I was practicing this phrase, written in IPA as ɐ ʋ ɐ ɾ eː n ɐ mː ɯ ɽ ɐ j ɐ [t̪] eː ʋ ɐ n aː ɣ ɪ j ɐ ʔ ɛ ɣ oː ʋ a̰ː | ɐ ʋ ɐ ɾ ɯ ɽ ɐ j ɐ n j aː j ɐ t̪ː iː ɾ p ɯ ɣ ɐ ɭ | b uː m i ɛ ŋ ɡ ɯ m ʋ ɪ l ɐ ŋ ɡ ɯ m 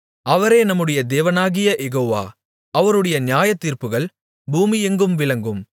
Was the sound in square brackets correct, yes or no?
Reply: no